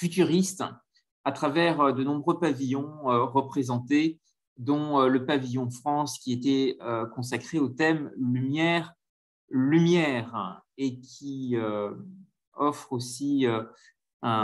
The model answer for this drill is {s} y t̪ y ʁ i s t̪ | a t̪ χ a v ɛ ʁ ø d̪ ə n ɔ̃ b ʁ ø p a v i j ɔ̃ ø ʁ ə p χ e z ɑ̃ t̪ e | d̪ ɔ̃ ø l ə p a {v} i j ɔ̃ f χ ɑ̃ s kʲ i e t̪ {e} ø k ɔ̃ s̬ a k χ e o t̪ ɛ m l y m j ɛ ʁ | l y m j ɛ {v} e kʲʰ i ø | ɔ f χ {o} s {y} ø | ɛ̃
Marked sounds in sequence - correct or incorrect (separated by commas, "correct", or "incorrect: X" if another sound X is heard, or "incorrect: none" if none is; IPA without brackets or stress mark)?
incorrect: f, correct, incorrect: ɛ, incorrect: ʁ, correct, incorrect: i